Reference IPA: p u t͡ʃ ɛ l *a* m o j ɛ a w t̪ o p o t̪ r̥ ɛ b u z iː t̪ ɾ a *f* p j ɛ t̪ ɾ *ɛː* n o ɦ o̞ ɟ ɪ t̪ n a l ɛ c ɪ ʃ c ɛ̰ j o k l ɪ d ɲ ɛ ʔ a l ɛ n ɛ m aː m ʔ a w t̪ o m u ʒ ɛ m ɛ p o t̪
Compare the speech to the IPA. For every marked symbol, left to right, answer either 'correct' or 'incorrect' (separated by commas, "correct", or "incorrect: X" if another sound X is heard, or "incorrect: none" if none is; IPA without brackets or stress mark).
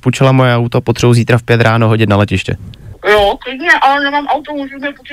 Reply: correct, correct, incorrect: aː